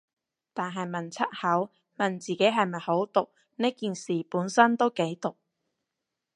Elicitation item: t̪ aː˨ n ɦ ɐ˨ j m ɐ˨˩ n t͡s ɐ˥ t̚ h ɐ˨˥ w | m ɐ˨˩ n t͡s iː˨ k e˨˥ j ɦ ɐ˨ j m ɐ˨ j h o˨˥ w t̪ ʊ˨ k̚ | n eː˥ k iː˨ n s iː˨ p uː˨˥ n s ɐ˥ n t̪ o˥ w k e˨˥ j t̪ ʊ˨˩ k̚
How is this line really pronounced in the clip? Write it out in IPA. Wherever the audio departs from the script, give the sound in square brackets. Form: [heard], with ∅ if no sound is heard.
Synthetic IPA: t̪ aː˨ n ɦ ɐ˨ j m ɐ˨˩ n [t͡sʰ] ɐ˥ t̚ h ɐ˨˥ w | m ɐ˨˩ n t͡s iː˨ k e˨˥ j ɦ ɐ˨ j m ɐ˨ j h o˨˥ w t̪ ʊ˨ k̚ | n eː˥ k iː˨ n s iː˨ p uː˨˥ n s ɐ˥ n t̪ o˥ w k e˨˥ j t̪ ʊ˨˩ k̚